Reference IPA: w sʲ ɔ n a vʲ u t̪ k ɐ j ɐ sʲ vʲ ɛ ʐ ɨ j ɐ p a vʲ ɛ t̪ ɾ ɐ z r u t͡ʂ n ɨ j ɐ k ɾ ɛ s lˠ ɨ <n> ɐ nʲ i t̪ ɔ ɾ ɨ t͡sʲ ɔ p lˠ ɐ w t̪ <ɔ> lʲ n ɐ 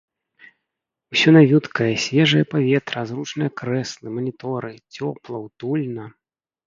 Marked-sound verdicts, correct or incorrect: incorrect, incorrect

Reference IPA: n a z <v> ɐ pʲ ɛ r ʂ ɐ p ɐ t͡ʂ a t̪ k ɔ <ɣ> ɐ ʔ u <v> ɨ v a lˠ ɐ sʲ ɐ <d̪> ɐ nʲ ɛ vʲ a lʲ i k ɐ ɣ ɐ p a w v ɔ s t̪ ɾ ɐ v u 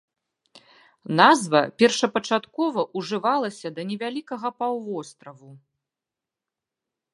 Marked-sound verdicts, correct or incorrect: correct, incorrect, incorrect, correct

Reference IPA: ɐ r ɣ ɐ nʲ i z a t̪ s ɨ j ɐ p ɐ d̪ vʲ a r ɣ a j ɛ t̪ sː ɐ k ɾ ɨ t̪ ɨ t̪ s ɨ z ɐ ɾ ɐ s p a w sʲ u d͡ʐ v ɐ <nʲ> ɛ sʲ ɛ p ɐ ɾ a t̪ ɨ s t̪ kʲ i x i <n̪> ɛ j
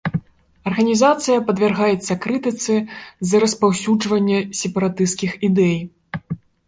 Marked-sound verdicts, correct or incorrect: incorrect, incorrect

